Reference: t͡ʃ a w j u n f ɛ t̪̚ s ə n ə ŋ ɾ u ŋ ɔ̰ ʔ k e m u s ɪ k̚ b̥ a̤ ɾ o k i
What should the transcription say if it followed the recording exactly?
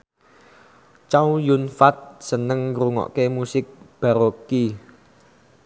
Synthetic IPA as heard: t͡ʃ a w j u n f a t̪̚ s ə n ə ŋ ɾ u ŋ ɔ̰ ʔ k e m u s ɪ k̚ b̥ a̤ ɾ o k i